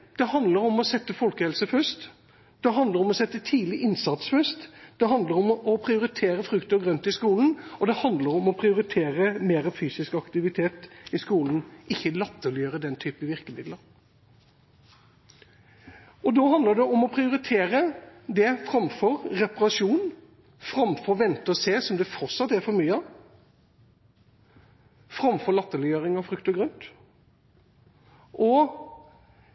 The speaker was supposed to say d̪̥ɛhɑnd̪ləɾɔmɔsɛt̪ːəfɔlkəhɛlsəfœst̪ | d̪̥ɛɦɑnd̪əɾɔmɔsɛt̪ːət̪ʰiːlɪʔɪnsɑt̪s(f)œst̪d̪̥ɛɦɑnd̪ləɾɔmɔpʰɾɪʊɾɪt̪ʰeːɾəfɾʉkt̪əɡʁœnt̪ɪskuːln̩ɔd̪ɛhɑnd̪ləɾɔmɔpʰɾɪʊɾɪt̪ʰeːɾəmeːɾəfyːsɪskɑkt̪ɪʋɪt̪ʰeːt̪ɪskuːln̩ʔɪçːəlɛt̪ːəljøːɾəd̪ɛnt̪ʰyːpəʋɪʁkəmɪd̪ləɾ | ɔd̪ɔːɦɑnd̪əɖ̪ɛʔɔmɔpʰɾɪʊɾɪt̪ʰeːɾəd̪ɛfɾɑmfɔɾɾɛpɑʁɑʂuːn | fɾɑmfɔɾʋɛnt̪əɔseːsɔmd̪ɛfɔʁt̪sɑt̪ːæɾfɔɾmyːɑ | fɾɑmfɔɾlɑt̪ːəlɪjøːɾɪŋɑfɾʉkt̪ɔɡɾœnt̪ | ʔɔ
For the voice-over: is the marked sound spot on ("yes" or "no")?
yes